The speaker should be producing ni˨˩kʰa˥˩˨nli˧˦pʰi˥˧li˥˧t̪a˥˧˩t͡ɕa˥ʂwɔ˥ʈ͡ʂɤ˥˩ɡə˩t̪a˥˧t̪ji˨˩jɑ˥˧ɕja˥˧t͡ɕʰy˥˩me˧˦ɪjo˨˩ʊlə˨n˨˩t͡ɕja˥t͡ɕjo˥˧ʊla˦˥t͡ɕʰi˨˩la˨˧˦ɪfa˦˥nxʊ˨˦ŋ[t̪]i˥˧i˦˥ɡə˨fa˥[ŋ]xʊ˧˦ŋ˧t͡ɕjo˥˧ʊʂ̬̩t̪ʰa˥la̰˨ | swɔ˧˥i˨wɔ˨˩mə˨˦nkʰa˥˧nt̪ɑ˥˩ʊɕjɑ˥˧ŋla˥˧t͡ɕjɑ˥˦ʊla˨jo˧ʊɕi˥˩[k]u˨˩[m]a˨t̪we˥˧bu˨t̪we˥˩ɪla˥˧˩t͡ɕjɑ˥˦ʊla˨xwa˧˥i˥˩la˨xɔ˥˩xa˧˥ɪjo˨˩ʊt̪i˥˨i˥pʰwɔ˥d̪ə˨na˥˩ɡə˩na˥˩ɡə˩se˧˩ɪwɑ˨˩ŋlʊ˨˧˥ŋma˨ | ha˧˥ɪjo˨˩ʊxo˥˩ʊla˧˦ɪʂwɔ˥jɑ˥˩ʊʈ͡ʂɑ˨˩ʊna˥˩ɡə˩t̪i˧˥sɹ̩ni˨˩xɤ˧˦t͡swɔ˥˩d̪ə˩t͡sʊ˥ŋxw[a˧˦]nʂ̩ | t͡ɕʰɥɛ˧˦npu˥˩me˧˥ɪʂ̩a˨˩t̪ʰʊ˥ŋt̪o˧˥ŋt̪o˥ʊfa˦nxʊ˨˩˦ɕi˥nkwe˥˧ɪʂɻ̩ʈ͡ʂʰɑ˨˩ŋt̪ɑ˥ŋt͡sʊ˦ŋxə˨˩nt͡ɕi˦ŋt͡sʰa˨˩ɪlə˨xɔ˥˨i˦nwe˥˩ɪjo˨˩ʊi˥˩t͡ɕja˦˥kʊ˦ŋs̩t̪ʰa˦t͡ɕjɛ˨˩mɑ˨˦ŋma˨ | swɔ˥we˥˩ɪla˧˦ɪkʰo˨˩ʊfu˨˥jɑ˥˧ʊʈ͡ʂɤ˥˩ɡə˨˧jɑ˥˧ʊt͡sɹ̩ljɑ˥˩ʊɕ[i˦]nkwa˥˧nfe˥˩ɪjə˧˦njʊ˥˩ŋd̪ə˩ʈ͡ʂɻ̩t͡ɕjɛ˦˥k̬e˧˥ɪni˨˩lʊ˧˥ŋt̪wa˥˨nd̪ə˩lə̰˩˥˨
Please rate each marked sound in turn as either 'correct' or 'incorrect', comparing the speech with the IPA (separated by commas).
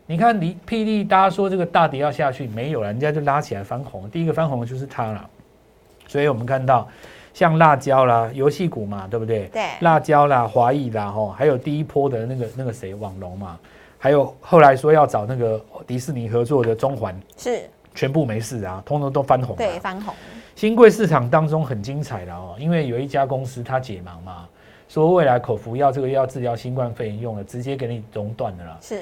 correct, incorrect, correct, correct, correct, correct